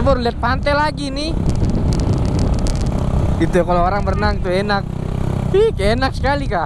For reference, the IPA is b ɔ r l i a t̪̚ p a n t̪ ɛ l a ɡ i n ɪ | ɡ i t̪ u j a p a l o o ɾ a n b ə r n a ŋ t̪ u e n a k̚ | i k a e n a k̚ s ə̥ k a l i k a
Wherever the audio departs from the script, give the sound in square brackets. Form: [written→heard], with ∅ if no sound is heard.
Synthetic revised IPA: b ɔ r l i a t̪̚ p a n t̪ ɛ l a ɡ i n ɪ | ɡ i t̪ u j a [p→k] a l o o ɾ a [n→ŋ] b ə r n a ŋ t̪ u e n a k̚ | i k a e n a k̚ s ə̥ k a l i k a